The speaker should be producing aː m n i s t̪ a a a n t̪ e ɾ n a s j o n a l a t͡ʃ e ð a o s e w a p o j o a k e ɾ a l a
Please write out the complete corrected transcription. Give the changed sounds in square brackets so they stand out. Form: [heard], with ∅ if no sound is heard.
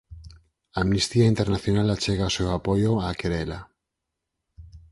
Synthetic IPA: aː m n i s t̪ [i] a [i] n t̪ e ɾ n a [θ] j o n a l a t͡ʃ e [ɣ] a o s e w a p o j o a k e ɾ [e] l a